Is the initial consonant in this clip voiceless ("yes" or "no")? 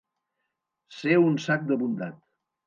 yes